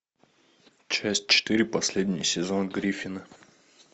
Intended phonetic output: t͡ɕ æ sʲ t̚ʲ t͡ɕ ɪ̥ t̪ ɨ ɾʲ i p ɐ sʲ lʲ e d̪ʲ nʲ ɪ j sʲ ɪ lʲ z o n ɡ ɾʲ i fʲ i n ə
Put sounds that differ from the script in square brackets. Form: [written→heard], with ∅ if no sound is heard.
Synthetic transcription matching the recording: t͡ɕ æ sʲ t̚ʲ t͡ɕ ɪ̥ t̪ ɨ ɾʲ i p ɐ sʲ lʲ e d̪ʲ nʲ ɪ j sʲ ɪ [lʲ→∅] z o n ɡ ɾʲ i fʲ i n ə